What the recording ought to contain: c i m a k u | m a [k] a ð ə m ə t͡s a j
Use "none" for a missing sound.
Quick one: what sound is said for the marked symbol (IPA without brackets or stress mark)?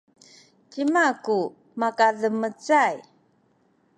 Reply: k